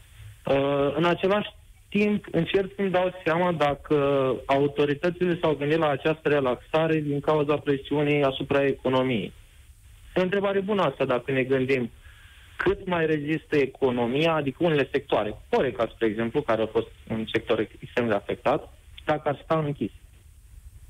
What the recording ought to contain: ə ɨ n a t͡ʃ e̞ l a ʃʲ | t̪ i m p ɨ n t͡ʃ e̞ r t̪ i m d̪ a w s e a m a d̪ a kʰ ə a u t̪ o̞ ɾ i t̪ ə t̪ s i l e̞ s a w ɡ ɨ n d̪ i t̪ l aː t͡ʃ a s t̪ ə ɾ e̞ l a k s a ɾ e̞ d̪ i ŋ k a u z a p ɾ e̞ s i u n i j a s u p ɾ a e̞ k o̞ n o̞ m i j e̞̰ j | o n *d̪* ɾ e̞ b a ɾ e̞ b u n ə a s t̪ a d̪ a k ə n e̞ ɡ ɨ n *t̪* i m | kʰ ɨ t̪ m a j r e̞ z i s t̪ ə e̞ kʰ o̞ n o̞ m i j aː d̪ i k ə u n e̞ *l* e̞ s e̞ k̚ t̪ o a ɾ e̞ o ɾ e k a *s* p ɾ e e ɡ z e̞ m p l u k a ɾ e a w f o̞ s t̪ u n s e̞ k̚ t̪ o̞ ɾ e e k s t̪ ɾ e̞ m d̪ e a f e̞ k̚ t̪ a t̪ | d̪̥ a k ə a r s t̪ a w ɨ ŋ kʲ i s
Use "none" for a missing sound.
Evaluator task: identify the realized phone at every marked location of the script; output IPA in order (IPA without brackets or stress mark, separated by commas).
t̪, d̪, l, s